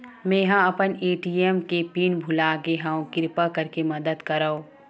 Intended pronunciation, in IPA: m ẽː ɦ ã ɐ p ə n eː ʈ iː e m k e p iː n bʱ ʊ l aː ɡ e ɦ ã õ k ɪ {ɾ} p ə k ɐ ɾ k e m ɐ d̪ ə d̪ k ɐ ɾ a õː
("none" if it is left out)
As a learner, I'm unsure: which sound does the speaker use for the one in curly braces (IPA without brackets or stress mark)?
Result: ɾ